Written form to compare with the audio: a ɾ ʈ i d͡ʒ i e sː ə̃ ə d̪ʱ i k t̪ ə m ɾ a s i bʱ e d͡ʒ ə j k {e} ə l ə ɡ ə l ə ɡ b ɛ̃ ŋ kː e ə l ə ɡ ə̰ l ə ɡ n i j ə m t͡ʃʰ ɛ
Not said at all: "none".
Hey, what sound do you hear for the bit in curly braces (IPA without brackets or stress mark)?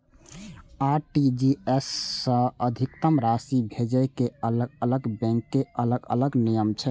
e